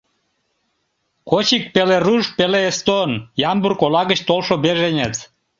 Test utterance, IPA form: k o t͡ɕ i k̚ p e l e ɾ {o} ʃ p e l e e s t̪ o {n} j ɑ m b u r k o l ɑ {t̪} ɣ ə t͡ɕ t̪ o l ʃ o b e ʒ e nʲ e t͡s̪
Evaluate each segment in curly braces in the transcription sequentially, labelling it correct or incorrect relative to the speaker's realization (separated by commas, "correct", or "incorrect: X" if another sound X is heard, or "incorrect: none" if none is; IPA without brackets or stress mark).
incorrect: u, correct, incorrect: none